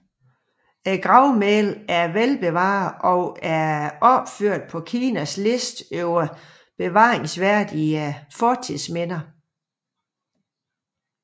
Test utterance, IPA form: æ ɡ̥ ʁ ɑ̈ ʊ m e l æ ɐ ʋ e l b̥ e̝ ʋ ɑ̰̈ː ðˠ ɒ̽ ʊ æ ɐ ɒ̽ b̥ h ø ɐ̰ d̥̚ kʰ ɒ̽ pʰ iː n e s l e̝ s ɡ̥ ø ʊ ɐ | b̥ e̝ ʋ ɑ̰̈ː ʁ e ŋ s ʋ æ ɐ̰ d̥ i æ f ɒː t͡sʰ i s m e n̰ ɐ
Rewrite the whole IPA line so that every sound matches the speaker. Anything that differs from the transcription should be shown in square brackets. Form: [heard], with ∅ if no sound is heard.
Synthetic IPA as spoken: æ ɡ̥ ʁ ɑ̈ ʊ m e l æ ɐ ʋ e l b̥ e̝ ʋ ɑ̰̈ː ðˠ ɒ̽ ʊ æ ɐ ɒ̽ b̥ [f] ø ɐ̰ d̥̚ [pʰ] ɒ̽ [kʰ] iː n [æ] s l e̝ s [d̥] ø ʊ ɐ | b̥ e̝ ʋ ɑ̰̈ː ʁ e ŋ s ʋ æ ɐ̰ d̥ i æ f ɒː t͡sʰ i s m e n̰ ɐ